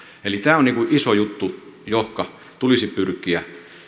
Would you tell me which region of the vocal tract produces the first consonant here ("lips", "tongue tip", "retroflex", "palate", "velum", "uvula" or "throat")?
tongue tip